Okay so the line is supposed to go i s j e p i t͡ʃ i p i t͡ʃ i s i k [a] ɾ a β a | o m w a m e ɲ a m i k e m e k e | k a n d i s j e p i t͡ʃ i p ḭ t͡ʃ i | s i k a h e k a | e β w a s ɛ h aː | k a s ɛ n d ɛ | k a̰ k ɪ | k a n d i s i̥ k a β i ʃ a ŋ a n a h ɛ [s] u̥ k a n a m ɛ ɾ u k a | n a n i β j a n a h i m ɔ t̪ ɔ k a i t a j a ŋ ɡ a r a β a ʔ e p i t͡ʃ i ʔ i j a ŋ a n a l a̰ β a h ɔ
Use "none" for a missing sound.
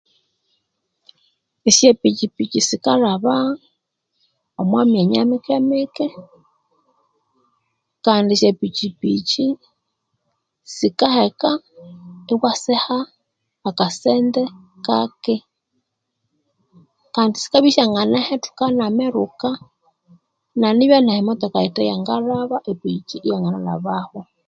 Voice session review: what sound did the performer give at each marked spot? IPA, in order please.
a, t

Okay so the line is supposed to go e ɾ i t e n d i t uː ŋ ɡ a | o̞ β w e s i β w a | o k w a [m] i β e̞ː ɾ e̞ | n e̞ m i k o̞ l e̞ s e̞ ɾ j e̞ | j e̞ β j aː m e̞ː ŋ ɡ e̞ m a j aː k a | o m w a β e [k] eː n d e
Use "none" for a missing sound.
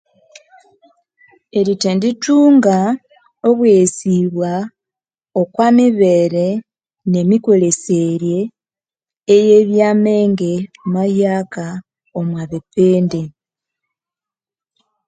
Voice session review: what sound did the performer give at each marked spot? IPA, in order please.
m, p

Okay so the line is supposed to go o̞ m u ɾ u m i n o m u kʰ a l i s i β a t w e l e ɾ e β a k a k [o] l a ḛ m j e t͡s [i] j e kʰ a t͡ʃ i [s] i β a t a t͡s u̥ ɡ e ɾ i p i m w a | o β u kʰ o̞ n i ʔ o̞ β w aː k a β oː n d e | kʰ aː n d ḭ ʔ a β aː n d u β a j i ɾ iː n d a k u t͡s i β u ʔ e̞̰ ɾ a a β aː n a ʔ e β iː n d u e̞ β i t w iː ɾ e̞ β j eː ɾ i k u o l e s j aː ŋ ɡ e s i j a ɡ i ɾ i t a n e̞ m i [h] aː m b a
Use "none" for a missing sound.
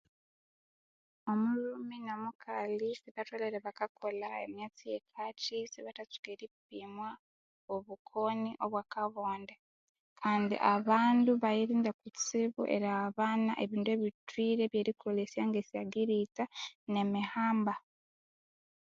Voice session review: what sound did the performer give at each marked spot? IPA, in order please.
o, i, s, h

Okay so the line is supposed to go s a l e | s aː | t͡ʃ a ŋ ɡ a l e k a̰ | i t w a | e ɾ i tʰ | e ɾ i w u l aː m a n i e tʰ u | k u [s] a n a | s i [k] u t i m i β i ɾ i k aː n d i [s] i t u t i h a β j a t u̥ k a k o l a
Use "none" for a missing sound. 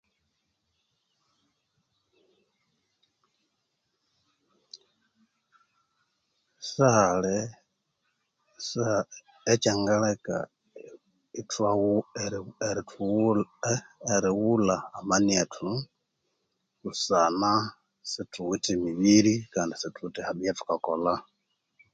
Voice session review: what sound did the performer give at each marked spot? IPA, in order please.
s, t, s

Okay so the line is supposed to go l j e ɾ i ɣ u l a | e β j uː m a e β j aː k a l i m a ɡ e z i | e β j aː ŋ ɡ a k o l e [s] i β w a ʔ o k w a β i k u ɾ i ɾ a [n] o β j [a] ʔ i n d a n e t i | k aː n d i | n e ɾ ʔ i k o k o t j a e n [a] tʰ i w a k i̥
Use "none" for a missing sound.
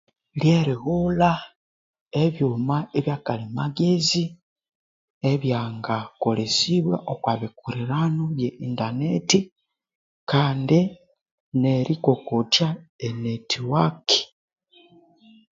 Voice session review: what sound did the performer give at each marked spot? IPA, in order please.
s, n, e, e

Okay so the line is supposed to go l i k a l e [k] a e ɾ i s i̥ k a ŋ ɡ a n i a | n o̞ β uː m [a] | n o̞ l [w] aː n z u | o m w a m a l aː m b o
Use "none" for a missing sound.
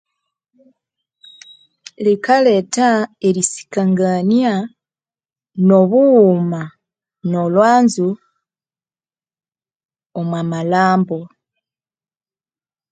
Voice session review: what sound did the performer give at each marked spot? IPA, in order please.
t, a, w

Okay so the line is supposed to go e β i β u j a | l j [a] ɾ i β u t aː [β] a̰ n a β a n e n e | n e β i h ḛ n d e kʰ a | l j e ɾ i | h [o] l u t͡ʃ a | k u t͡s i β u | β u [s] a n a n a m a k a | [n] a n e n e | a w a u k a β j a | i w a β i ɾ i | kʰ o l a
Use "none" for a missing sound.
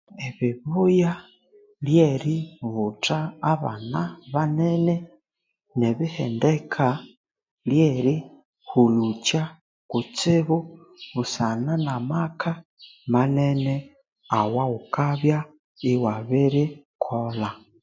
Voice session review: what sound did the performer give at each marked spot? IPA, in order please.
e, β, u, s, m

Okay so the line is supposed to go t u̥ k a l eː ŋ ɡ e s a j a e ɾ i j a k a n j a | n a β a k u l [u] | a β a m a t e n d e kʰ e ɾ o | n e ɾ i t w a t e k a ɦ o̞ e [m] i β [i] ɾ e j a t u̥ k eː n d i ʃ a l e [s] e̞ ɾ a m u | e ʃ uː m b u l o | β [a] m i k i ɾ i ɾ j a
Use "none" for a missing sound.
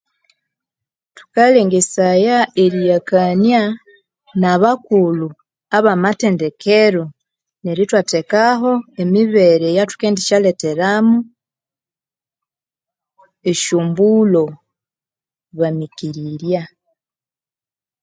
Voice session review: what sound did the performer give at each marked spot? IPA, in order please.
u, m, e, t, a

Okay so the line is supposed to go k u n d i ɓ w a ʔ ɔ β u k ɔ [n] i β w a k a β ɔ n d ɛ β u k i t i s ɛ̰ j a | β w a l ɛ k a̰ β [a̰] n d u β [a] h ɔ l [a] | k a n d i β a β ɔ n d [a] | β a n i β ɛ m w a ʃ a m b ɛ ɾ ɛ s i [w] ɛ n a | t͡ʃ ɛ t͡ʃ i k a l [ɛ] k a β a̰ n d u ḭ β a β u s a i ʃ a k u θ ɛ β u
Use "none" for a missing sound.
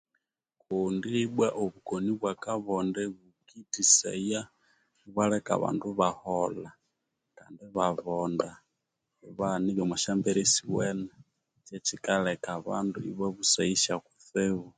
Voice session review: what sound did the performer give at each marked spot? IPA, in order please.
n, a̰, a, a, a, w, ɛ

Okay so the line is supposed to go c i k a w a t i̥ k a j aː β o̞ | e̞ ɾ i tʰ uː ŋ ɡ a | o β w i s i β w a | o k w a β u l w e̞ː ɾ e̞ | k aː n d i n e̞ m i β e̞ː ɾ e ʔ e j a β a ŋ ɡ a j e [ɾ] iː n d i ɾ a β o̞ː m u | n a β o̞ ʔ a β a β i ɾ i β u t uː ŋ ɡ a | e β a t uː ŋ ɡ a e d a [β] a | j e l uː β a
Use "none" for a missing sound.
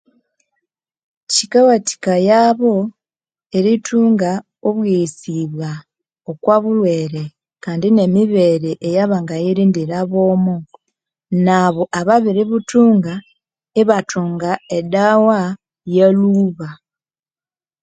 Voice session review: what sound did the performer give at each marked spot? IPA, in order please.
ɾ, w

